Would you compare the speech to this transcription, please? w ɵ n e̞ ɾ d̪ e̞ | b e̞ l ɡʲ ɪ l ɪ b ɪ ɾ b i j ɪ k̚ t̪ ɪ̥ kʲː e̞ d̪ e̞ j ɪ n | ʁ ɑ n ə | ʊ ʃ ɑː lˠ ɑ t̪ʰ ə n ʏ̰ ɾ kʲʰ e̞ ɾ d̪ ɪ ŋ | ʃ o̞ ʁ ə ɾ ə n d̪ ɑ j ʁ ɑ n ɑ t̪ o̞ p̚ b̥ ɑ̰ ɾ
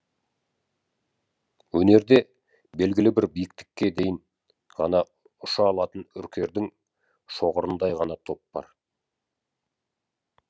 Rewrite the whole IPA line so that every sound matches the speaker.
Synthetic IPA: w ɵ n e̞ ɾ d̪ e̞ | b e̞ l ɡʲ ɪ l ɪ b ɪ ɾ b i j ɪ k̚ t̪ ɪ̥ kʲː e̞ d̪ e̞ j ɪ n | ʁ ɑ n ɑ | ʊ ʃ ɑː lˠ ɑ t̪ ə n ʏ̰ ɾ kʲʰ e̞ ɾ d̪ ɪ ŋ | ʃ o̞ ʁ ə ɾ ə n d̪ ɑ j ʁ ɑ n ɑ t̪ʰ o̞ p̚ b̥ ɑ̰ ɾ